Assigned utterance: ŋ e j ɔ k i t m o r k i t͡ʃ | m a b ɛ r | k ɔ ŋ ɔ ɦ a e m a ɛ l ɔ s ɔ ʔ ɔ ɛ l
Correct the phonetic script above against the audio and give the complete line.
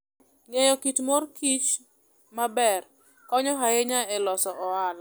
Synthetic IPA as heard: ŋ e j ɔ k i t m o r k i t͡ʃ | m a b ɛ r | k ɔ ɲ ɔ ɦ a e ɲ a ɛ l ɔ s ɔ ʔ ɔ a l